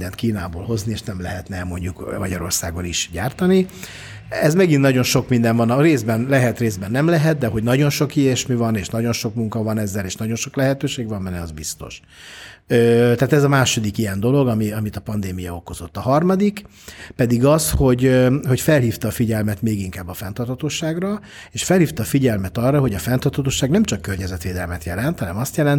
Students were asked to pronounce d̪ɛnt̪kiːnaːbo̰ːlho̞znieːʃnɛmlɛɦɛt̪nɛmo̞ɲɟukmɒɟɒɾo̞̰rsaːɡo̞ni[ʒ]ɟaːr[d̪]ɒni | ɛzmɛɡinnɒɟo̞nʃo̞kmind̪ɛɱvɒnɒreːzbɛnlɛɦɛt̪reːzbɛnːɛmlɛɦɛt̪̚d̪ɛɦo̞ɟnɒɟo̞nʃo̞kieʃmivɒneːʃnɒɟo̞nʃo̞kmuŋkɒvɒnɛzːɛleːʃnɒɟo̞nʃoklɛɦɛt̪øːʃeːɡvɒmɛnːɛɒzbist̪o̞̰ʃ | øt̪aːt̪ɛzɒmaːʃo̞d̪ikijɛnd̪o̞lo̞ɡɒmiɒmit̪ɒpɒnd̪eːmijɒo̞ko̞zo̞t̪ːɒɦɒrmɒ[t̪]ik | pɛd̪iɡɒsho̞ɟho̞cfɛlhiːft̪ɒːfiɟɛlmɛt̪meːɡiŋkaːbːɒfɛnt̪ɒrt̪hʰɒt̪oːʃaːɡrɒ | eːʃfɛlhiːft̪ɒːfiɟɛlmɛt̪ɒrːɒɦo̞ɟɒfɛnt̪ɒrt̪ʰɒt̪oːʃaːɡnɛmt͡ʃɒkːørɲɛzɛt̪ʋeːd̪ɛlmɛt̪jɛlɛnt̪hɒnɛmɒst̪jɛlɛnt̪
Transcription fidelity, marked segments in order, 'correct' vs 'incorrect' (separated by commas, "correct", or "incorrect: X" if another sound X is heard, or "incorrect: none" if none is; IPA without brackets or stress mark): incorrect: ʃ, incorrect: t̪, incorrect: d̪